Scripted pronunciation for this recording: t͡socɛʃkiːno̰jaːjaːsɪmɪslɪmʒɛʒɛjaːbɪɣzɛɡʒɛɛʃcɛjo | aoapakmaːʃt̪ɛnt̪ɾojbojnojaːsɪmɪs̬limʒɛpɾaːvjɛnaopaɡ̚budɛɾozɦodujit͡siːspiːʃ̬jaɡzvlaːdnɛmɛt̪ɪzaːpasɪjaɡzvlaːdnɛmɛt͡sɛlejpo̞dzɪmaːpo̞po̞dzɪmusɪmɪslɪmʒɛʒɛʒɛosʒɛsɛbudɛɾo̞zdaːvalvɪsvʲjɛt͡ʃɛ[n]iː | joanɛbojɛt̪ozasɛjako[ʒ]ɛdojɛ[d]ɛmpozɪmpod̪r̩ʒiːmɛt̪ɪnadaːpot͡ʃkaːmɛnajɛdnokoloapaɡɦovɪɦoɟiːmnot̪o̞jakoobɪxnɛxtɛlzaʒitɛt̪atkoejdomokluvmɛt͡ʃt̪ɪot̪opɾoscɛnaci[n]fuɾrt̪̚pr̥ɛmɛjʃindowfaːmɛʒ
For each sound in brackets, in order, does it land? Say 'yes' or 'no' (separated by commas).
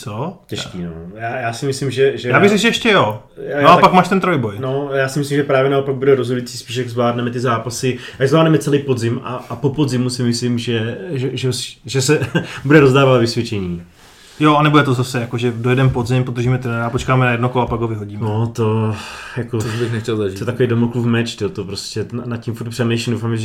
no, yes, yes, no